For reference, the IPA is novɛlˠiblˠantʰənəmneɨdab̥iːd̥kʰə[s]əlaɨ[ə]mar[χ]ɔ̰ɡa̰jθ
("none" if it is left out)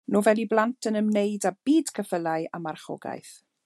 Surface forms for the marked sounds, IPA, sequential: f, a, χ

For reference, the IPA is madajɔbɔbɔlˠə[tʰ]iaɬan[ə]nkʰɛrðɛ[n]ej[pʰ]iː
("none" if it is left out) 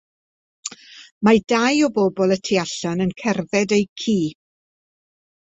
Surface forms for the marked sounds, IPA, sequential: tʰ, ə, d, kʰ

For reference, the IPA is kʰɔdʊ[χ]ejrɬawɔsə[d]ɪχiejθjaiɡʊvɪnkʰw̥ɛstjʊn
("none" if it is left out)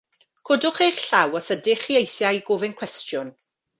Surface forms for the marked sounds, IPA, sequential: χ, d

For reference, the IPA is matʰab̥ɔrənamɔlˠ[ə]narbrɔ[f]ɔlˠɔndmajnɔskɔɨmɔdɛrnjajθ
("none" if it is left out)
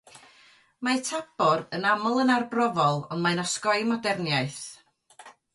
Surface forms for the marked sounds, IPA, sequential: ə, v

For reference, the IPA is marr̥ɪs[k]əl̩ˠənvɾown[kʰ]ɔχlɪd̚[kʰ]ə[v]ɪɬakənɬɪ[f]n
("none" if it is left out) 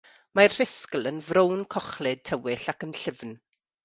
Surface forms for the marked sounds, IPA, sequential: k, kʰ, tʰ, w, v

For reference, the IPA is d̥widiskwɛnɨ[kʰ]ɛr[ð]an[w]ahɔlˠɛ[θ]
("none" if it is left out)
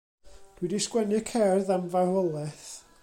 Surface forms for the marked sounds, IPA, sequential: kʰ, ð, v, θ

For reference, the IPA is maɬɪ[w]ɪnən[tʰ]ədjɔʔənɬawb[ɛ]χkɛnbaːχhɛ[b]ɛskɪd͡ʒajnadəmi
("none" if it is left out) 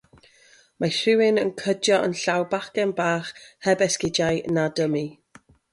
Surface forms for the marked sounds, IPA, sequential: w, kʰ, a, b

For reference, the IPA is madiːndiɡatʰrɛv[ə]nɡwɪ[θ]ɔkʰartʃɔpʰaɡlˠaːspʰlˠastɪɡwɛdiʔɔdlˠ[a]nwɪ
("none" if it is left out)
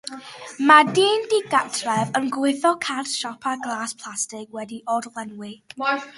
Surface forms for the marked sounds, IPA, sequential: ə, θ, ɛ

